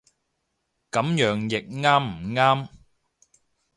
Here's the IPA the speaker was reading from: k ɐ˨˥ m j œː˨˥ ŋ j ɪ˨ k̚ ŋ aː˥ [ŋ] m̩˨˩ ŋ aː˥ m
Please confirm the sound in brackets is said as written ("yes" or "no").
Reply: no